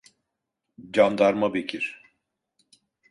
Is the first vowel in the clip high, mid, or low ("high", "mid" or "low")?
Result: low